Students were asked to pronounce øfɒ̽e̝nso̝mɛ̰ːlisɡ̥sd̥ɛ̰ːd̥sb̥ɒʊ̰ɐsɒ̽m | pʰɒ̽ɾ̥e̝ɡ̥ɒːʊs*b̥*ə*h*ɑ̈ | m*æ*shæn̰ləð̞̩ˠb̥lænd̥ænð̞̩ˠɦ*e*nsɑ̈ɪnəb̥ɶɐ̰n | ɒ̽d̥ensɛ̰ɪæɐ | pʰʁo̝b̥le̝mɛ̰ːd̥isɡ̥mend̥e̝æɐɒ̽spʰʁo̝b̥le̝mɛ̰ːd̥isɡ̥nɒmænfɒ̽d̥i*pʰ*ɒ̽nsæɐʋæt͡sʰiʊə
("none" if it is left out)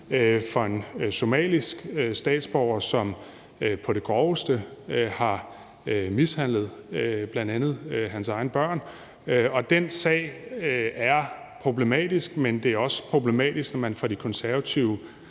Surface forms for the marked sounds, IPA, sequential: d̥, h, i, æ, kʰ

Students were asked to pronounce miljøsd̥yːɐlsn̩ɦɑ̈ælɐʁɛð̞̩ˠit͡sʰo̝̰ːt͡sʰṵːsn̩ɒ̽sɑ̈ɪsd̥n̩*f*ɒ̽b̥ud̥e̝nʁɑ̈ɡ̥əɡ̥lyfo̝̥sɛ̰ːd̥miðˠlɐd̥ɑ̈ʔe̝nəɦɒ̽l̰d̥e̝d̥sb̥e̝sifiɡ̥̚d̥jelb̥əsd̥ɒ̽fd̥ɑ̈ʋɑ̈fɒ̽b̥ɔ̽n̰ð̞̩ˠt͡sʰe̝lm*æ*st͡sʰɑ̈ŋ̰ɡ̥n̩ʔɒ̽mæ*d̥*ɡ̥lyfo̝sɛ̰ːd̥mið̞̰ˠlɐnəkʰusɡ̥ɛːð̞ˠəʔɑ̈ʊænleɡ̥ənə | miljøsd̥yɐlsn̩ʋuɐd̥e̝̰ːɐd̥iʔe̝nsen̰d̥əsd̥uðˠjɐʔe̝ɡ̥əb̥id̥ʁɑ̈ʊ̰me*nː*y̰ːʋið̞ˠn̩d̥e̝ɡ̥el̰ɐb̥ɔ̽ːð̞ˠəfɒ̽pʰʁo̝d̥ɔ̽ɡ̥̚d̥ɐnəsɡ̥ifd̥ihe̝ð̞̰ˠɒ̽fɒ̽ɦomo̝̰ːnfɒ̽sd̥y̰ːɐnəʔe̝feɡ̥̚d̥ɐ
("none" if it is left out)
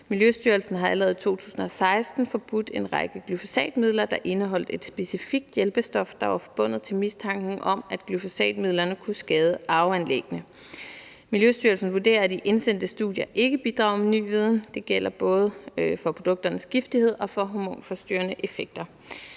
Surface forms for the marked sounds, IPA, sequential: f, i, d̥, n

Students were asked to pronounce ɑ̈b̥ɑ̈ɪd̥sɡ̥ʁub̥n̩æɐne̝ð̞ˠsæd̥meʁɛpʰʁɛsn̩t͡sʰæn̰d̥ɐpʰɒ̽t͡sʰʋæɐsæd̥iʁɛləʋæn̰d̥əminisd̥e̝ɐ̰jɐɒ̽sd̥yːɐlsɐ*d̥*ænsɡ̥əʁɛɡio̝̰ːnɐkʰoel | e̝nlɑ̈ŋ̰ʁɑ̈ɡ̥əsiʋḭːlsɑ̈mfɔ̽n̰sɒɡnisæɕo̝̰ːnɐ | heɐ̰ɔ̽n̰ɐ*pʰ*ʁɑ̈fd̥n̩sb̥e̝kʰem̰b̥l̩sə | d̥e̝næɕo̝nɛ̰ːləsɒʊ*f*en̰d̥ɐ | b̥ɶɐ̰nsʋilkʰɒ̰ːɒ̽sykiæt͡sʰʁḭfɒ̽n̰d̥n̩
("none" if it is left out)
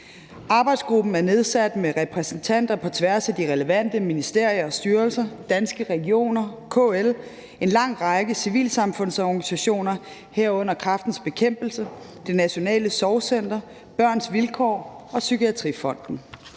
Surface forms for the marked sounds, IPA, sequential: d̥, kʰ, s

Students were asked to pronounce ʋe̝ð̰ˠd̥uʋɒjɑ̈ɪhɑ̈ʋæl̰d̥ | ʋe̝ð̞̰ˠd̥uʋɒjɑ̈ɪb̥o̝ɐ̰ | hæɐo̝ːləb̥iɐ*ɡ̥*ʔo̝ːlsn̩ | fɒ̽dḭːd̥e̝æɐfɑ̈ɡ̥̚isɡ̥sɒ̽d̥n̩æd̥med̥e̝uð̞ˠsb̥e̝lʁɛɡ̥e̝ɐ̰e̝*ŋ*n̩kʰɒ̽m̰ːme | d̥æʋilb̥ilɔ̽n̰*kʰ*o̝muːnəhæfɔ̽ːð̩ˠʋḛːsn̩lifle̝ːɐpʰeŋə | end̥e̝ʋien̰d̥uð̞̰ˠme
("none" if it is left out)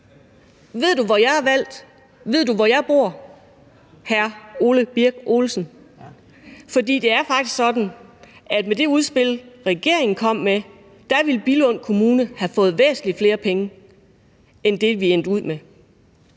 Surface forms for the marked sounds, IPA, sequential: ɡ̥, ŋ, kʰ

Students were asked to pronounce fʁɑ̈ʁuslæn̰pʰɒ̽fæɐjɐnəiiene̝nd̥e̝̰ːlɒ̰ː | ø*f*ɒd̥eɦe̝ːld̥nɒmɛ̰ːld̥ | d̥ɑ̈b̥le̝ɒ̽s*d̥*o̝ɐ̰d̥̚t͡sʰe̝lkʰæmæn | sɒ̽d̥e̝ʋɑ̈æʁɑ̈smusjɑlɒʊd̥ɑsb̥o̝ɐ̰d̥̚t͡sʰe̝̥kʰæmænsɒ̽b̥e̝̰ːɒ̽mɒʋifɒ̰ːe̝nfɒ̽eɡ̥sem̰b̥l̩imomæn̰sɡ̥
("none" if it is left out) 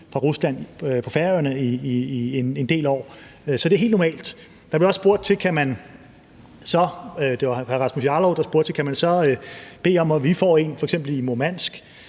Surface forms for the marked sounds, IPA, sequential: s, b̥

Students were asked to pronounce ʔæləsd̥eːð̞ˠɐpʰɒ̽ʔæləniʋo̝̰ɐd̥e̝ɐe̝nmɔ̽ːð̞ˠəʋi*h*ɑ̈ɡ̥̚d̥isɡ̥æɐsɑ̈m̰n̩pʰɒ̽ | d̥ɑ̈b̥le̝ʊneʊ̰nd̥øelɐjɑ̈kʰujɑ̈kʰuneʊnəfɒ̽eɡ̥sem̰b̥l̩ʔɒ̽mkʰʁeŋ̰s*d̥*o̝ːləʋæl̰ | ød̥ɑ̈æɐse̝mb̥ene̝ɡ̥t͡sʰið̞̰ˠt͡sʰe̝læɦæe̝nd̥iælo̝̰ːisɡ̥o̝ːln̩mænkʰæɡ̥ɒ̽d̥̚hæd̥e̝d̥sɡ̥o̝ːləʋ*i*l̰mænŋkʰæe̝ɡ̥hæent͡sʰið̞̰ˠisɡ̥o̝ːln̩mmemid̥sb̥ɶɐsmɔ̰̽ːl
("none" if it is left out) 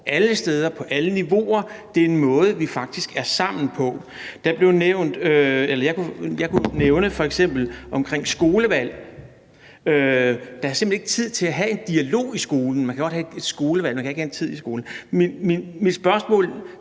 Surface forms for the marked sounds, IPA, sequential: f, ɡ̥, æ

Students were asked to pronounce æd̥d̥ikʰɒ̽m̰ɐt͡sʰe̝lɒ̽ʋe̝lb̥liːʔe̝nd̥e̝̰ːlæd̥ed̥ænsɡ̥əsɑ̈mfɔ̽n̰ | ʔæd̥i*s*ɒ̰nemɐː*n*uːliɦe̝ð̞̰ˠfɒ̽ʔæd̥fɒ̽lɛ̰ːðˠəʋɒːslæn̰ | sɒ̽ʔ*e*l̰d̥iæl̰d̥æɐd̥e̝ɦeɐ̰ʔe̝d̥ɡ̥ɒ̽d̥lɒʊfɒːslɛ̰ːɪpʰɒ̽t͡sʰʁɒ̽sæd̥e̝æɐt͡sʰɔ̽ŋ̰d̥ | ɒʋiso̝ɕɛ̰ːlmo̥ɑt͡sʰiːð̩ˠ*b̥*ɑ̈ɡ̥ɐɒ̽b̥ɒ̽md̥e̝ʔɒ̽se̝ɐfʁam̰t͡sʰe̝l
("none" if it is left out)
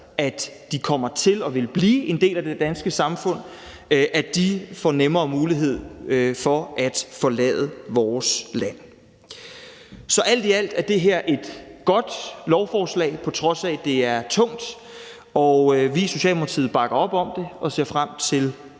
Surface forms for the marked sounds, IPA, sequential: f, m, æ, b̥

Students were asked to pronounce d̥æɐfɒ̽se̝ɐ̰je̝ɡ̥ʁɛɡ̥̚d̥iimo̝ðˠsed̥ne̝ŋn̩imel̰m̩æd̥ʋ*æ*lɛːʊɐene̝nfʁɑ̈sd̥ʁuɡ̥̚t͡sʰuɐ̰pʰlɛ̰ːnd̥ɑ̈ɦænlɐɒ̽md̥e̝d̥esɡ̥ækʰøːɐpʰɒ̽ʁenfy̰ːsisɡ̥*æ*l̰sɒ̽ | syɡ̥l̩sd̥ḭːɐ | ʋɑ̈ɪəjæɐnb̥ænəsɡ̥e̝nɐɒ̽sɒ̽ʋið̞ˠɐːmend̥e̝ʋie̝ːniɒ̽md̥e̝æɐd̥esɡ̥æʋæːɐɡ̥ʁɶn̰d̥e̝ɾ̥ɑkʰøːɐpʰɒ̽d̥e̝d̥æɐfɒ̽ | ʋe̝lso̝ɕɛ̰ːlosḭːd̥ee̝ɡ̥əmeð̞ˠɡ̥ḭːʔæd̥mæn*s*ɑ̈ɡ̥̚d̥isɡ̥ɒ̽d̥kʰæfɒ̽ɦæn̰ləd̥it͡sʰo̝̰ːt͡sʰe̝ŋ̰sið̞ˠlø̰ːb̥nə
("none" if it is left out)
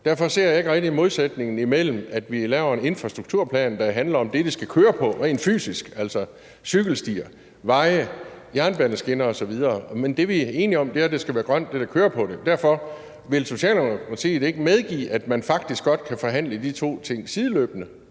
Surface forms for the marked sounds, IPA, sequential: i, æ, f

